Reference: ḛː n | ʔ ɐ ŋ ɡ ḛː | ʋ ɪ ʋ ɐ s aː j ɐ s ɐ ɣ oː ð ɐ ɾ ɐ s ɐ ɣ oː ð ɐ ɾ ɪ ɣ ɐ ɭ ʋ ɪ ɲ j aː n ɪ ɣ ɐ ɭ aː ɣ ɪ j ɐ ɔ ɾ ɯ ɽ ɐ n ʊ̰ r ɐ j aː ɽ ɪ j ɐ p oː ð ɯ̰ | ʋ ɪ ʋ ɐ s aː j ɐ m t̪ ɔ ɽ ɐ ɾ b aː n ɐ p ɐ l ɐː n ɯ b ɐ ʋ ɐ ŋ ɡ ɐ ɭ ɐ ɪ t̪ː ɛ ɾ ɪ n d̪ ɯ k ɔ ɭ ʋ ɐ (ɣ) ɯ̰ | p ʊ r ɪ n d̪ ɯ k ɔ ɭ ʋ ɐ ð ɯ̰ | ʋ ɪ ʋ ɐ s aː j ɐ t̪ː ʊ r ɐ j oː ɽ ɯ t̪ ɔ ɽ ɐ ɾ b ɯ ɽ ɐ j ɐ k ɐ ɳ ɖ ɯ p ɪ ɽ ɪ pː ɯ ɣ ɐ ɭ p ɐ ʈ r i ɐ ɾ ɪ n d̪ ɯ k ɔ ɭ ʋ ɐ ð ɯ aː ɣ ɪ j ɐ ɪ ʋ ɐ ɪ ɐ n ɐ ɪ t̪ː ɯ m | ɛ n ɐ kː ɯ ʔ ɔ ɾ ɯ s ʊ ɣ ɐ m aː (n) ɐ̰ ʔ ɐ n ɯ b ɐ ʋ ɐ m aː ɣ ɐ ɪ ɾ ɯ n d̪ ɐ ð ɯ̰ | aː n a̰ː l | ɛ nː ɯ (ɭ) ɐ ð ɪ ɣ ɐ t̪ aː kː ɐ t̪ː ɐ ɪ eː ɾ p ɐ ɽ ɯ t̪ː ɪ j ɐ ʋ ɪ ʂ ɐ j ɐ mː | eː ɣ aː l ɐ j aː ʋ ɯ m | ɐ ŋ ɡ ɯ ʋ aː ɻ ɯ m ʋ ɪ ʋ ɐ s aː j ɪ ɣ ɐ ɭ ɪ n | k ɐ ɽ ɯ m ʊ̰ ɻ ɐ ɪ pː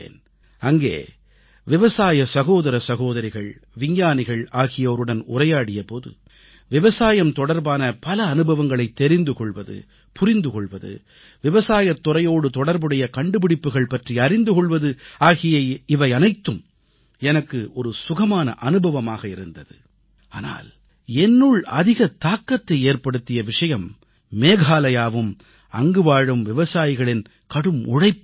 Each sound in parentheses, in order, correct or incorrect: incorrect: ð, correct, correct

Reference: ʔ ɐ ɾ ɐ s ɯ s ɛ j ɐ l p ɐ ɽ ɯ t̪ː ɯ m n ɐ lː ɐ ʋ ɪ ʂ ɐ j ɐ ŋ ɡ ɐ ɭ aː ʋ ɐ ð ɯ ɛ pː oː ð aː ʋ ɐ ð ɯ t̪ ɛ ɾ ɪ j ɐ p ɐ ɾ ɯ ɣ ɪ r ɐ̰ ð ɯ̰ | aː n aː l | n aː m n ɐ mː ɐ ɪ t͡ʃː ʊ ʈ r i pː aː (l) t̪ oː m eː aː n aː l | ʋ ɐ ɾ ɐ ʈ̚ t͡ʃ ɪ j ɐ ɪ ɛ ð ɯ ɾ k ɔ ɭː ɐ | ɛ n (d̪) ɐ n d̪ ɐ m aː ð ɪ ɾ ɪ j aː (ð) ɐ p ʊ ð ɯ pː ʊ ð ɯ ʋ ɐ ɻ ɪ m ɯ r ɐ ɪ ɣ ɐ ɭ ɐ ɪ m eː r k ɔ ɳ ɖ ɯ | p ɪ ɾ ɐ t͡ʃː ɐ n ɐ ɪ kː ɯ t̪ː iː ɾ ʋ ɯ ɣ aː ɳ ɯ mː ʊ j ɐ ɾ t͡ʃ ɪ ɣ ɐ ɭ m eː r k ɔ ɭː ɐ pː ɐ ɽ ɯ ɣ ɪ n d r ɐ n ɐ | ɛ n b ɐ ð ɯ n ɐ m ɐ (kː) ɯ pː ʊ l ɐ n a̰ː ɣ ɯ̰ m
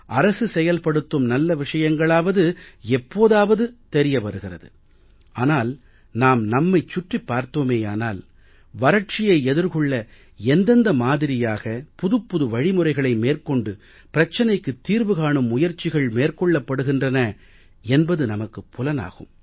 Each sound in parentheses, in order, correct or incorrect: incorrect: ɾ, correct, incorrect: ɣ, correct

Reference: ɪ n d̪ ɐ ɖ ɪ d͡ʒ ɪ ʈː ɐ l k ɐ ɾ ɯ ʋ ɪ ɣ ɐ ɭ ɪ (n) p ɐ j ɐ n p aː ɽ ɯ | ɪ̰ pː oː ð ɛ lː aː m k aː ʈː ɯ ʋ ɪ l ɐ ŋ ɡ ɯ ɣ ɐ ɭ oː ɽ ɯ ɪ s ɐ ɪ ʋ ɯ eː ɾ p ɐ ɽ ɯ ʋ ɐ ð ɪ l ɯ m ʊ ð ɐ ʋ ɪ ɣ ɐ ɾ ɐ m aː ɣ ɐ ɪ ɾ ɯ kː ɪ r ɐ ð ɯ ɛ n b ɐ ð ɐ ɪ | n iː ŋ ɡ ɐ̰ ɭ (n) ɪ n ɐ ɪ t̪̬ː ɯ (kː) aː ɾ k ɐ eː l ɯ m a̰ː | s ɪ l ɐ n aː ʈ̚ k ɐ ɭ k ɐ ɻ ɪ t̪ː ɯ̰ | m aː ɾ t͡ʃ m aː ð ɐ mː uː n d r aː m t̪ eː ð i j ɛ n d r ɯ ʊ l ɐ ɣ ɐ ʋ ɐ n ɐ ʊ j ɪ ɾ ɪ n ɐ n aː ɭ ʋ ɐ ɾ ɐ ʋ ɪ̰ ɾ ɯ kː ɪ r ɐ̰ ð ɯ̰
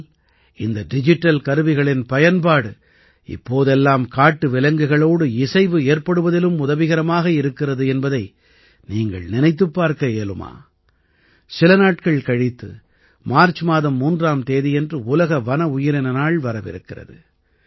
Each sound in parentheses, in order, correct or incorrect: correct, correct, incorrect: pː

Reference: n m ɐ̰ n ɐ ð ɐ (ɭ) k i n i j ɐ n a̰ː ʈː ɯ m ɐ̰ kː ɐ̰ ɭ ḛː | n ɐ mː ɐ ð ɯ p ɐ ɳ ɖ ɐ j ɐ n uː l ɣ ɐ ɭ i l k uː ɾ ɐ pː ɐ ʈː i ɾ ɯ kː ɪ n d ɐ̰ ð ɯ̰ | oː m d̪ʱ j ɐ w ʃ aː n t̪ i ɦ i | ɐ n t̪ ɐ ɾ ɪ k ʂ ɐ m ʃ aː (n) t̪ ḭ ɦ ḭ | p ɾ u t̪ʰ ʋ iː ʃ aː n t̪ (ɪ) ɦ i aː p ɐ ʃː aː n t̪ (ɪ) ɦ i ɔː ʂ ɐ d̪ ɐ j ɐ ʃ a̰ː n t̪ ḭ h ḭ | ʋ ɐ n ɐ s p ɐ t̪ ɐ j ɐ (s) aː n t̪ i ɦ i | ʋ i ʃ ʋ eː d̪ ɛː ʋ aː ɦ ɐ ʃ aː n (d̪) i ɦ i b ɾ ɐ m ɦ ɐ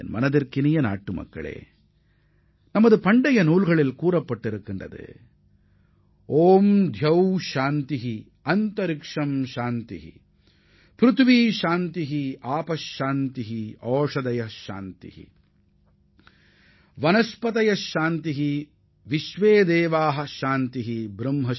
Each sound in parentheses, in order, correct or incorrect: incorrect: ɾ, correct, incorrect: i, incorrect: i, incorrect: ʃ, incorrect: t̪

